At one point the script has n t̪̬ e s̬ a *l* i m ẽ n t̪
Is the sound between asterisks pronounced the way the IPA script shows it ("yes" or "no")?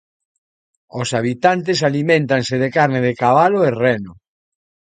yes